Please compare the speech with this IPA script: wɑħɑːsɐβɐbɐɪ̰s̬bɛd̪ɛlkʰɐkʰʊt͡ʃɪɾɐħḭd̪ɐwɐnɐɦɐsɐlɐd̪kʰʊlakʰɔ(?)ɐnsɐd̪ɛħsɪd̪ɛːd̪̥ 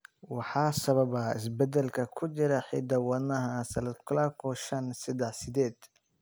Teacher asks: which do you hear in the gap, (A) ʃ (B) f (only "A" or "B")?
A